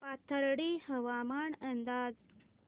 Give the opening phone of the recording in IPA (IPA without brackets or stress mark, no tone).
p